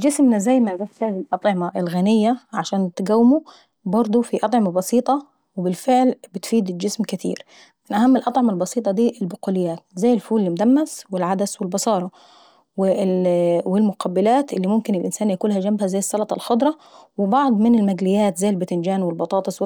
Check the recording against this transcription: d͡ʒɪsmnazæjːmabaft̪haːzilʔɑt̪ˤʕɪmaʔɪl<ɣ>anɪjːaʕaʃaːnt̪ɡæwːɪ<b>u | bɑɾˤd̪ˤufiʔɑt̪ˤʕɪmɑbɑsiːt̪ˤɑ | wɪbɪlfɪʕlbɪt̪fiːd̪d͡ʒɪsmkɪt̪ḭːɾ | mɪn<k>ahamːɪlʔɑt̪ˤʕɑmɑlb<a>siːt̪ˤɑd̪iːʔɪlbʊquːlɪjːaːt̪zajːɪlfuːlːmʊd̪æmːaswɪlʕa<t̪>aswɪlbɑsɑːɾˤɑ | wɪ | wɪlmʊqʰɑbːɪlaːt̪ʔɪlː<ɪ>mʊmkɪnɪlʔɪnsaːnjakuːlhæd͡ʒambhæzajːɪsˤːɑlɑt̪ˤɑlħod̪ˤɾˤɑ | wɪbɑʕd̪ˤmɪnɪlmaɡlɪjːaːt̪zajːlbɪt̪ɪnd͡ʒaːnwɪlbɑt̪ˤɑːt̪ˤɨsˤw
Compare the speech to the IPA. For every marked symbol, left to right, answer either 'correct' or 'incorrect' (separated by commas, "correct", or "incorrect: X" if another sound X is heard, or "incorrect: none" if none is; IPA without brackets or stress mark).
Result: correct, incorrect: m, incorrect: ʔ, incorrect: ɑ, incorrect: d̪, incorrect: i